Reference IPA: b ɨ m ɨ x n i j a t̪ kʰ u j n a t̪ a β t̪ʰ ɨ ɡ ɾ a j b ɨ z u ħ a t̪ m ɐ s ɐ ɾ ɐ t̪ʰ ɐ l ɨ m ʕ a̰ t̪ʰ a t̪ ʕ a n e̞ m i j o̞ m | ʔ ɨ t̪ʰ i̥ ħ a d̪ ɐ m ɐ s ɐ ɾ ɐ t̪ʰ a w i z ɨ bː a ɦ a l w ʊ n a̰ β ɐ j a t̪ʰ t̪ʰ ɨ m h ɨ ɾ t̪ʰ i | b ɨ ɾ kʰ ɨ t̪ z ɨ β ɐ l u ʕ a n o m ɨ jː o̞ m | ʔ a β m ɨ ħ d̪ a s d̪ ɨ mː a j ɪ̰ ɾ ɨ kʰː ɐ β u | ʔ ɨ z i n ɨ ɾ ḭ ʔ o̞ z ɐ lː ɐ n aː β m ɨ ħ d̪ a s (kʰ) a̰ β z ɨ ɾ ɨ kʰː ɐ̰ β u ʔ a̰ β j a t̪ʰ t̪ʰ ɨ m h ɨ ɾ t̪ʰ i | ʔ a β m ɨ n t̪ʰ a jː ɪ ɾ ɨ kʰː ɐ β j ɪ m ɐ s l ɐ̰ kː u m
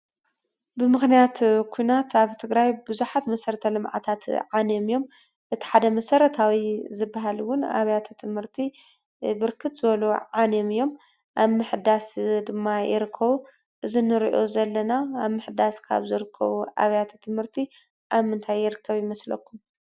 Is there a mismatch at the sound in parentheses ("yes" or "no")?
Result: no